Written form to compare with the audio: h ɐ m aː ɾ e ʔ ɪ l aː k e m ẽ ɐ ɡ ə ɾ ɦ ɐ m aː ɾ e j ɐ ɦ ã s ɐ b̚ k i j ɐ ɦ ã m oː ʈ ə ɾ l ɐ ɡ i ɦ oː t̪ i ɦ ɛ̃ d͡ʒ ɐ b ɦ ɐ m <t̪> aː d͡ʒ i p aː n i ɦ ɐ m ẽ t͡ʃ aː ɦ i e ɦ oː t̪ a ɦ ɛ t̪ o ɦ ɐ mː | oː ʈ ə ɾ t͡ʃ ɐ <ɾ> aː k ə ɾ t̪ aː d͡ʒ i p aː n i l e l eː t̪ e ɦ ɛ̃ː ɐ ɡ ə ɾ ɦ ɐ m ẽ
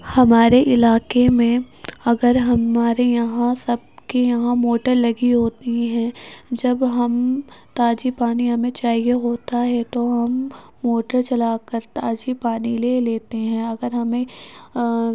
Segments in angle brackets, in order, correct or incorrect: correct, incorrect

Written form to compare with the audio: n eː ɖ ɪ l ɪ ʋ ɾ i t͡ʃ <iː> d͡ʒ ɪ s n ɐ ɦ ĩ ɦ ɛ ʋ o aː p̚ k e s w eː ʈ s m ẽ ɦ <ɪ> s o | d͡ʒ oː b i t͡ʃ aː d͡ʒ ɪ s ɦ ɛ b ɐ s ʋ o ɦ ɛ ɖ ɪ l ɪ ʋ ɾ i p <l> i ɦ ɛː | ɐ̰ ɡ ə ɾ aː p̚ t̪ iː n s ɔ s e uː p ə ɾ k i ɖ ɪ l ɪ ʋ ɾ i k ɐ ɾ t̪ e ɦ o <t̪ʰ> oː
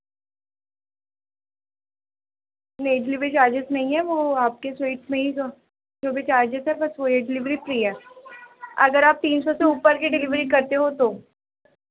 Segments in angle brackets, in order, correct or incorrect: incorrect, incorrect, incorrect, incorrect

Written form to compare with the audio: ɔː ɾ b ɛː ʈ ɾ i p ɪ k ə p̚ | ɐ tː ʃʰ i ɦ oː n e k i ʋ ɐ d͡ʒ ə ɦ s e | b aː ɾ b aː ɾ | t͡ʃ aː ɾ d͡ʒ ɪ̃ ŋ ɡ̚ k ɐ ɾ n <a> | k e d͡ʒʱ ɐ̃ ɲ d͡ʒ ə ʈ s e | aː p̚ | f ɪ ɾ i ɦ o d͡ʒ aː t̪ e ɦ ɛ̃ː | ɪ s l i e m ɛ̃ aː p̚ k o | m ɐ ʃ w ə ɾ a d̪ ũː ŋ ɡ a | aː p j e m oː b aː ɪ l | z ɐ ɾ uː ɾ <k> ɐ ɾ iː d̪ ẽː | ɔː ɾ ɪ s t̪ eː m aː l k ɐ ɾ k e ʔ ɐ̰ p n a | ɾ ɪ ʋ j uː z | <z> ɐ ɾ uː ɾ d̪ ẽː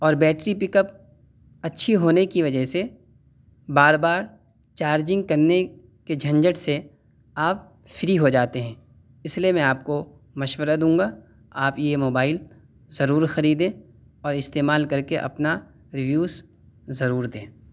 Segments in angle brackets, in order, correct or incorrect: incorrect, incorrect, correct

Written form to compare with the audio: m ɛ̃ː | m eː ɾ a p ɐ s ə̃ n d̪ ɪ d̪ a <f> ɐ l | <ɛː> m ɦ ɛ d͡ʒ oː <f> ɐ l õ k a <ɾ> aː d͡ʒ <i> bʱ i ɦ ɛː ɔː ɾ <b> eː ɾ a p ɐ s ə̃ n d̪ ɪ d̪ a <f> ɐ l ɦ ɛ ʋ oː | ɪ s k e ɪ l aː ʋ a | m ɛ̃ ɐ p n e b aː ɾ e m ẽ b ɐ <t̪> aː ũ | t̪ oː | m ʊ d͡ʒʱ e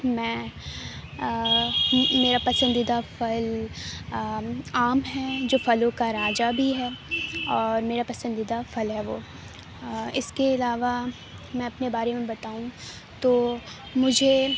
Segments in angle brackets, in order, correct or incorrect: correct, incorrect, correct, correct, incorrect, incorrect, correct, correct

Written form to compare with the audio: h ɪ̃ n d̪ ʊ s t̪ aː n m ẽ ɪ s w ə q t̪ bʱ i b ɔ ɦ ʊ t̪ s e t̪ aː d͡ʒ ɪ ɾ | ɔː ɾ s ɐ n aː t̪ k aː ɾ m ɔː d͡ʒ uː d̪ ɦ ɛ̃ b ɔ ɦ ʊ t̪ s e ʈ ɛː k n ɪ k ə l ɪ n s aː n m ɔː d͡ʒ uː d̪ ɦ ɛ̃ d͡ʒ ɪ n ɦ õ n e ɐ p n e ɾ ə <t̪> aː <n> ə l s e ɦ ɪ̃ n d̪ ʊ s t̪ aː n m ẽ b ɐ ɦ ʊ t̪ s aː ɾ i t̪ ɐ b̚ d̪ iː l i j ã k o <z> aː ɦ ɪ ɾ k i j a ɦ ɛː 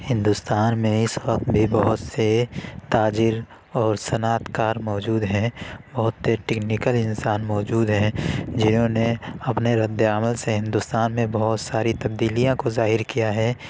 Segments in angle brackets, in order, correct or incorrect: incorrect, incorrect, correct

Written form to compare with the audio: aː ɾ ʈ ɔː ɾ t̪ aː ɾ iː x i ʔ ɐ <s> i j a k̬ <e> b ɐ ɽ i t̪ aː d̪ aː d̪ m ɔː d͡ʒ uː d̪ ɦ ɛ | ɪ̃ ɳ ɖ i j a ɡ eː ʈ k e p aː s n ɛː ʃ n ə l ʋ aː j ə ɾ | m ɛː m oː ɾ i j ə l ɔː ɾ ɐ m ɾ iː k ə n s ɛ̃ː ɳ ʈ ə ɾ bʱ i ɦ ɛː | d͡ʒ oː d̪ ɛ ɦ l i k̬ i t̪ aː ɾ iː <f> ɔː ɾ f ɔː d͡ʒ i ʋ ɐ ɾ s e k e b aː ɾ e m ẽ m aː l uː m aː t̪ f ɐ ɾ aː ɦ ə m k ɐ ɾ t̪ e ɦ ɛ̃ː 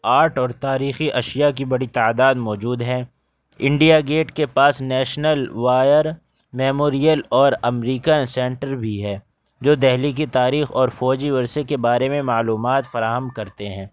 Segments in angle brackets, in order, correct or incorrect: incorrect, incorrect, incorrect

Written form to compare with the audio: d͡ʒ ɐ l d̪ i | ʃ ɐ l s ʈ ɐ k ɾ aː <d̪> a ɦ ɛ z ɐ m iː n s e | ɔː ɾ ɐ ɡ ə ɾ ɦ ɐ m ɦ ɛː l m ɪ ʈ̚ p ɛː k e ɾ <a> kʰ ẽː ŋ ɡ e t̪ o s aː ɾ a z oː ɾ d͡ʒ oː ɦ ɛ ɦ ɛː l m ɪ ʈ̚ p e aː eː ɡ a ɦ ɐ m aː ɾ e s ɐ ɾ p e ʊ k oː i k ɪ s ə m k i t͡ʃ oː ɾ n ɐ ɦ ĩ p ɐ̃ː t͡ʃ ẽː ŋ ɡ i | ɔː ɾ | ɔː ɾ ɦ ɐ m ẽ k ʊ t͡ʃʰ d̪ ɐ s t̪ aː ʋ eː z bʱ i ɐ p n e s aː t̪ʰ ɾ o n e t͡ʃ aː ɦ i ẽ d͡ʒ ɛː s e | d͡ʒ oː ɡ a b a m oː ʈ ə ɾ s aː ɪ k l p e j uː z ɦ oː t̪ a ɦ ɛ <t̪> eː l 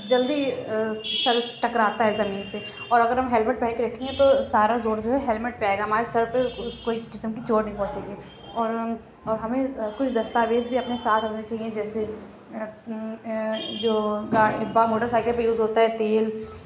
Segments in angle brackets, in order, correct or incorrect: incorrect, incorrect, correct

